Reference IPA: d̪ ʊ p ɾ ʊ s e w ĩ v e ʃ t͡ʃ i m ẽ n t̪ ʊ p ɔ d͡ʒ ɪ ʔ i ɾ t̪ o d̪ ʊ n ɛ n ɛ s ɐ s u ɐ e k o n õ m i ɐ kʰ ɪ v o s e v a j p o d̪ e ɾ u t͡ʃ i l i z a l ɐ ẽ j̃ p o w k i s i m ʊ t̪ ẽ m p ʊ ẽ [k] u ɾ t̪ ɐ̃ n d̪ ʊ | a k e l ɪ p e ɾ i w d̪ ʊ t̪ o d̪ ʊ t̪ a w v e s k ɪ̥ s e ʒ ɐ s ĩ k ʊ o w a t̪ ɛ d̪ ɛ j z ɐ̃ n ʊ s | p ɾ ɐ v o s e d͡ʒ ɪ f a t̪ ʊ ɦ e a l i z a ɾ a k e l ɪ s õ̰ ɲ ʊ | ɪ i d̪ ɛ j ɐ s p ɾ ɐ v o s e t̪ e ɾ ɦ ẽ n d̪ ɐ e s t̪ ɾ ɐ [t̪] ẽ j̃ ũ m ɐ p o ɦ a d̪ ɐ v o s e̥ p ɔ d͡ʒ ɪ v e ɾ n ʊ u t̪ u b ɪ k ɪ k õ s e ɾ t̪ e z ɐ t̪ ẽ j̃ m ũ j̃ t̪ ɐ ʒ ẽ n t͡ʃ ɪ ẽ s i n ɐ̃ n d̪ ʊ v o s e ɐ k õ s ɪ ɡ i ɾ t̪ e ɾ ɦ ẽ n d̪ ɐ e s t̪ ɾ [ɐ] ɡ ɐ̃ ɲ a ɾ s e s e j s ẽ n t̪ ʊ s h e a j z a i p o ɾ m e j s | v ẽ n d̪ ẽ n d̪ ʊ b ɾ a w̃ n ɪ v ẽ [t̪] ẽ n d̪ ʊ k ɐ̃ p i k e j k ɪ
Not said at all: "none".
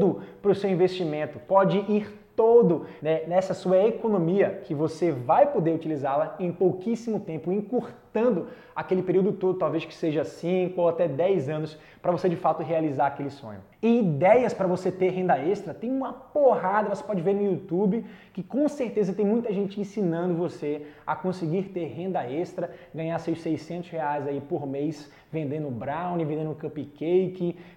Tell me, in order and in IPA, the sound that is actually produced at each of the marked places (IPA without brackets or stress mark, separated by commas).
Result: k, t̪, ɐ, d̪